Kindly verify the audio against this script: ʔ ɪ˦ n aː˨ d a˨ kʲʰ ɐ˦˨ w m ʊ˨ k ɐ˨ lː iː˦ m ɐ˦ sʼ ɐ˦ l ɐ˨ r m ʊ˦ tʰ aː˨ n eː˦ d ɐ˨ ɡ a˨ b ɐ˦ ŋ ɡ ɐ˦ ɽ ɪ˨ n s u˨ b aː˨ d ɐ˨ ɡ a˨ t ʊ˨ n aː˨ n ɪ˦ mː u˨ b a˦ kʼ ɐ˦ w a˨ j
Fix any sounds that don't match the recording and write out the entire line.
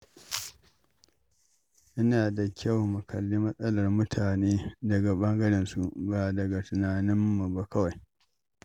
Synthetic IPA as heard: ʔ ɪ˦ n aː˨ d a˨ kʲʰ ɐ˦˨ w m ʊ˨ k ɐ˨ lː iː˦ m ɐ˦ sʼ ɐ˦ l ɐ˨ r m ʊ˦ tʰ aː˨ n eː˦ d ɐ˨ ɡ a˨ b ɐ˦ ŋ ɡ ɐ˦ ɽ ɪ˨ n s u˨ b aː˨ d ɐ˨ ɡ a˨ t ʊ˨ n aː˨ n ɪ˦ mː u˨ b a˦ k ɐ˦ w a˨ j